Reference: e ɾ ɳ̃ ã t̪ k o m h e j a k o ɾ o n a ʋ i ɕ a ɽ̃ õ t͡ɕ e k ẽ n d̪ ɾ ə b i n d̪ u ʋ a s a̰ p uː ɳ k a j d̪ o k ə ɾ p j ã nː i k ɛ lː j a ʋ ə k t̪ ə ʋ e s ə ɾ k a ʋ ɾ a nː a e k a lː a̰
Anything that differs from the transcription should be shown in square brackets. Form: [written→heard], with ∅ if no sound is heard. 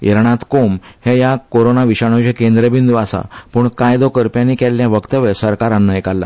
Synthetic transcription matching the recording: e ɾ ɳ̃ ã t̪ k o m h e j a k o ɾ o n a ʋ i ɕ a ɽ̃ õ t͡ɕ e k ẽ n d̪ ɾ ə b i n d̪ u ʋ a s a̰ p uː ɳ k a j d̪ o k ə ɾ p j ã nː i k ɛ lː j a ʋ ə k t̪ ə ʋ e s ə ɾ k a [ʋ→∅] ɾ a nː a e k a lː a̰